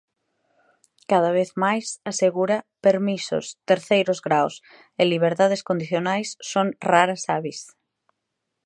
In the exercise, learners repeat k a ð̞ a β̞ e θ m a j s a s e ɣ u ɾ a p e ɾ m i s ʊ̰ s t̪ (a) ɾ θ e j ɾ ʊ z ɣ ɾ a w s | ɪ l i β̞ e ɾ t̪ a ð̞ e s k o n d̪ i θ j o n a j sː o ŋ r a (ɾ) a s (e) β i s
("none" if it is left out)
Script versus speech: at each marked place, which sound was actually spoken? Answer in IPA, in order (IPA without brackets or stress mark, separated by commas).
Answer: e, ɾ, a